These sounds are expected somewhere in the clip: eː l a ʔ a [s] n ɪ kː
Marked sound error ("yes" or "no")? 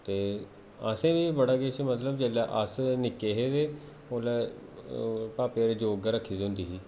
no